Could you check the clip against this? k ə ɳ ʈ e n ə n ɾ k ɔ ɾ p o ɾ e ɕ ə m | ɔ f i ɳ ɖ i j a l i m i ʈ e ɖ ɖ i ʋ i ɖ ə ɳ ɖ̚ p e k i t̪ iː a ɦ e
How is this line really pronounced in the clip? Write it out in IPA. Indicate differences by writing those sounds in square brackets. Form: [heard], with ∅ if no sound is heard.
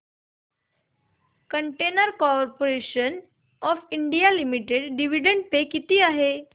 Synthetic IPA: k ə ɳ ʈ e n ə [∅] ɾ k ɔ ɾ p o ɾ e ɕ ə [n] | ɔ f i ɳ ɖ i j a l i m i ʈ e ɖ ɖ i ʋ i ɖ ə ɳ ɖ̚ p e k i t̪ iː a ɦ e

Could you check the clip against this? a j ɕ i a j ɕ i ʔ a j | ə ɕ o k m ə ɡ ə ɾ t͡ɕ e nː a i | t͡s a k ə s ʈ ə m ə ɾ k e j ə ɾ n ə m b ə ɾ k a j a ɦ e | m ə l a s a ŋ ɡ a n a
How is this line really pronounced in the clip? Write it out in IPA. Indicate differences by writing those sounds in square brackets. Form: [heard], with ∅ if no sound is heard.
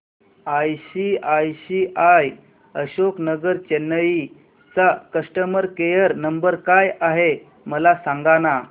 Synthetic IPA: a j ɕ i a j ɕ i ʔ a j | ə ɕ o k [n] ə ɡ ə ɾ t͡ɕ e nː [ə] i | t͡s a k ə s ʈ ə m ə ɾ k e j ə ɾ n ə m b ə ɾ k a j a ɦ e | m ə l a s a ŋ ɡ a n a

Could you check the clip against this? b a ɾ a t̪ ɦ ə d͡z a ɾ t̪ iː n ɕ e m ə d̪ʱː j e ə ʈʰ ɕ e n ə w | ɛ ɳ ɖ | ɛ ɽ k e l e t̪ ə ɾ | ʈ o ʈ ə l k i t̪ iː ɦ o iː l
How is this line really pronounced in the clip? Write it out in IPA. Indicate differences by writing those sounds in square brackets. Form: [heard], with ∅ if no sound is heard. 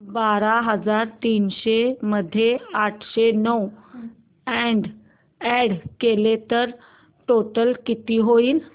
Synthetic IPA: b a ɾ a [∅] ɦ ə d͡z a ɾ t̪ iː n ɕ e m ə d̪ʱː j e [a] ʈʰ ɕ e n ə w | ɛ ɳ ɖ | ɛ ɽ k e l e t̪ ə ɾ | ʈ o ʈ ə l k i t̪ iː ɦ o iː l

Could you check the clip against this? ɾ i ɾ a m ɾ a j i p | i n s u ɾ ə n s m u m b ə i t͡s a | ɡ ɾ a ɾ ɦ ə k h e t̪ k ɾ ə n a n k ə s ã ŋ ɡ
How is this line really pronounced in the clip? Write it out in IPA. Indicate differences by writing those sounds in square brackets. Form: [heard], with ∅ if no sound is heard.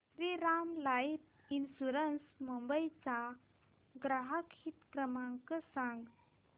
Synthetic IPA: ɾ i ɾ a m [l] a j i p | i n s u ɾ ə n s m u m b ə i t͡s a | ɡ ɾ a [∅] ɦ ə k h [i] t̪ k ɾ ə [m] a [ŋ] k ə s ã ŋ ɡ

